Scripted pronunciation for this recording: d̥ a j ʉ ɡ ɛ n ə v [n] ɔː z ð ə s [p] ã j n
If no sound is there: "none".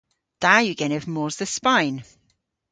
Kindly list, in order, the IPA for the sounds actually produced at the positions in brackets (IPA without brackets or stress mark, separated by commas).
m, p